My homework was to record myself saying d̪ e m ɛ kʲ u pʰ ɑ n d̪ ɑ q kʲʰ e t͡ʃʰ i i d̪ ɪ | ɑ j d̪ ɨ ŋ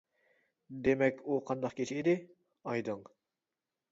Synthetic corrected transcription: d̪ e m ɛ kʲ u qʰ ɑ n d̪ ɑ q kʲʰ e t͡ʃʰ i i d̪ ɪ | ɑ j d̪ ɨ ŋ